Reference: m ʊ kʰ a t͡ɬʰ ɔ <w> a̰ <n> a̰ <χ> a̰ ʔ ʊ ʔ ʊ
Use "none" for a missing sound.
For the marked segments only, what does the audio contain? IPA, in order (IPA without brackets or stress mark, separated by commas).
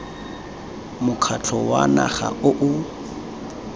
w, n, χ